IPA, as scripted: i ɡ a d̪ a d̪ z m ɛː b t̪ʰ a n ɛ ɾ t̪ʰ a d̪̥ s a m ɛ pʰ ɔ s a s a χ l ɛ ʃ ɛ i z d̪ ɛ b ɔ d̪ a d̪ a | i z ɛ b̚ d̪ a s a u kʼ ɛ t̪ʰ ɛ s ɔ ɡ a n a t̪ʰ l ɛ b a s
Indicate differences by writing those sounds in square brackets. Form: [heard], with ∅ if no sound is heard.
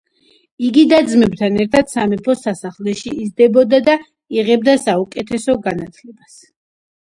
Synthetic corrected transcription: i ɡ [i] d̪ a d̪ z m [ɛ] b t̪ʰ a n ɛ ɾ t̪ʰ a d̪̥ s a m ɛ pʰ ɔ s a s a χ l ɛ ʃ [i] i z d̪ ɛ b ɔ d̪ a d̪ a | i [ʁ] ɛ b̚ d̪ a s a u kʼ ɛ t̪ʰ ɛ s ɔ ɡ a n a t̪ʰ l ɛ b a s

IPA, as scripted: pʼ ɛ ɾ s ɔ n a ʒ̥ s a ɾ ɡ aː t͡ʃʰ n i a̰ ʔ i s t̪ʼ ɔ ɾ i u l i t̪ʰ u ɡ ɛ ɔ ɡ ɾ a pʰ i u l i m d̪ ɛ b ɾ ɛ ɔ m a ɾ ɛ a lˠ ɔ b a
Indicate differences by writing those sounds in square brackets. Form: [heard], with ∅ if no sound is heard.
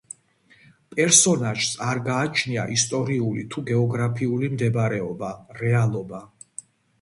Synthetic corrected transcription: pʼ ɛ ɾ s ɔ n a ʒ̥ s a ɾ ɡ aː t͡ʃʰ n i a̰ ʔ i s t̪ʼ ɔ ɾ i u l i t̪ʰ u ɡ ɛ ɔ ɡ ɾ a pʰ i u l i m d̪ ɛ b ɾ ɛ ɔ [b] a ɾ ɛ a lˠ ɔ b a

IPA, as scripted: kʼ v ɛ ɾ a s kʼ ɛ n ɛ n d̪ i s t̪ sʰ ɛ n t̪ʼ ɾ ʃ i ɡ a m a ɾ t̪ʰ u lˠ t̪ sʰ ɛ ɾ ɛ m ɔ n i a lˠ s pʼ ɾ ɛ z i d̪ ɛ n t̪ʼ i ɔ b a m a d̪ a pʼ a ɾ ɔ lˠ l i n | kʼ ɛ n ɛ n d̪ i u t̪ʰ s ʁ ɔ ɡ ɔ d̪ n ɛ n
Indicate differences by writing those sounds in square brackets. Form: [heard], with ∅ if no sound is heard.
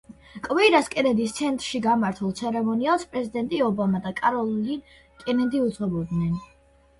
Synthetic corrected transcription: kʼ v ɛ ɾ a s kʼ ɛ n ɛ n d̪ i s t̪ sʰ ɛ n t̪ʼ ɾ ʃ i ɡ a m a ɾ t̪ʰ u lˠ t̪ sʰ ɛ ɾ ɛ m ɔ n i a lˠ s pʼ ɾ ɛ z i d̪ ɛ n t̪ʼ i ɔ b a m a d̪ a [kʼ] a ɾ ɔ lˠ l i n | kʼ ɛ n ɛ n d̪ i u [t̪] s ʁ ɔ [b] ɔ d̪ n ɛ n

